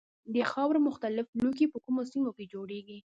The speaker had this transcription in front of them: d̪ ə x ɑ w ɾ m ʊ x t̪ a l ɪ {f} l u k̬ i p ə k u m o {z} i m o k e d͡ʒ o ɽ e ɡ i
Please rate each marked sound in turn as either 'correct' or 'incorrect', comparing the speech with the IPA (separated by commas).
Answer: correct, incorrect